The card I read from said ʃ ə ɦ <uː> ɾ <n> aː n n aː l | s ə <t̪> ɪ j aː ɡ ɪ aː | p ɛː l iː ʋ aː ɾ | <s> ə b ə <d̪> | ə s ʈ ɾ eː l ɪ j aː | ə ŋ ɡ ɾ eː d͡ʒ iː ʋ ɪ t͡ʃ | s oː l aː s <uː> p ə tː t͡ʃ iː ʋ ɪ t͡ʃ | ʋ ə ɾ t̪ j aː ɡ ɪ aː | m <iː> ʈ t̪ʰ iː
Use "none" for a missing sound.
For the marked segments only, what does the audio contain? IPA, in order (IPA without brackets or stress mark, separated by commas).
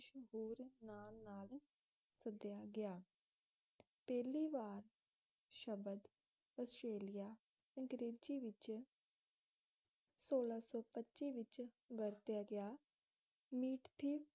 uː, n, d̪, ʃ, d̪, ɔː, iː